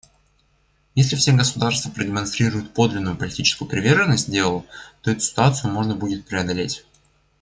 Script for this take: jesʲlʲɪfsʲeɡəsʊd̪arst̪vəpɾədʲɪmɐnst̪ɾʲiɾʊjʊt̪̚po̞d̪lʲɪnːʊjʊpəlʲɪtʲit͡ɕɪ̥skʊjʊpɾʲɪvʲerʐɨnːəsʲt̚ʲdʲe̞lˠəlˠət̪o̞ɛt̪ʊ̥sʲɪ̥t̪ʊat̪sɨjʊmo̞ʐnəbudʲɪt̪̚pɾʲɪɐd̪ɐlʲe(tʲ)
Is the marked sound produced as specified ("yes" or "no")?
yes